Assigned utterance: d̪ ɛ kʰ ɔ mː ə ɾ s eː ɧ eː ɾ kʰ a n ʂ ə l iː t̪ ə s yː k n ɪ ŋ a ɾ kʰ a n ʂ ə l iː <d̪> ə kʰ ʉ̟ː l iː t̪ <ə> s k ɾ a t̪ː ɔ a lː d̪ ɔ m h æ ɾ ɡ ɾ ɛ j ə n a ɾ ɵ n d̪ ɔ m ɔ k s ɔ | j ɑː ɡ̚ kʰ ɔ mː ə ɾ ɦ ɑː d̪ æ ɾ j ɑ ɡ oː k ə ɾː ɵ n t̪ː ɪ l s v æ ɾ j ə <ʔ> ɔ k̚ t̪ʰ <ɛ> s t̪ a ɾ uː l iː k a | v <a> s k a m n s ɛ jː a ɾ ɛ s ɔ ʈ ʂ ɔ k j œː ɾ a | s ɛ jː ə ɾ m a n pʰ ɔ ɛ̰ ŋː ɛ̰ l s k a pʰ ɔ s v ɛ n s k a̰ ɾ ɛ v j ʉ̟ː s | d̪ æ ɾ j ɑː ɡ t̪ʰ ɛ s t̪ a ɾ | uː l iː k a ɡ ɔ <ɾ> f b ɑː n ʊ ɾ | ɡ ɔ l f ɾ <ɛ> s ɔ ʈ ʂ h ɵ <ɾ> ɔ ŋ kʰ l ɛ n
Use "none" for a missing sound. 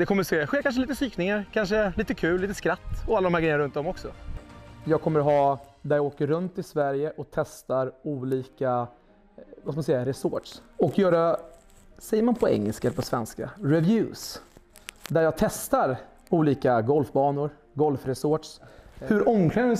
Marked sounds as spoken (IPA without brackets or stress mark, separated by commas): t̪, ə, ʔ, ɛ, a, l, ɛ, ɾ